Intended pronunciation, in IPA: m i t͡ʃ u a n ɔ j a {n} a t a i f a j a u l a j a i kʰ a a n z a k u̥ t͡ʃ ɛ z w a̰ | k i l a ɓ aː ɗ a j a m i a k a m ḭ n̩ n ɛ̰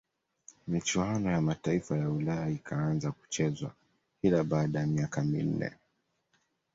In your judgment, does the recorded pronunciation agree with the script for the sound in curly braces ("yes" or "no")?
no